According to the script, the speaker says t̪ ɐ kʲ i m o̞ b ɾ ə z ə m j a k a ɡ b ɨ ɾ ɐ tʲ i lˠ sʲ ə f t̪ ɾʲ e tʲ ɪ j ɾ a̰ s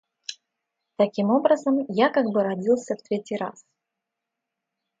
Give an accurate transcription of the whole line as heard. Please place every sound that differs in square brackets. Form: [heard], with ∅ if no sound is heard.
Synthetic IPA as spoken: t̪ ɐ kʲ i m o̞ b ɾ ə z ə m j a k a ɡ b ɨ ɾ ɐ [dʲ] i lˠ sʲ ə f t̪ ɾʲ e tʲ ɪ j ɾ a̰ s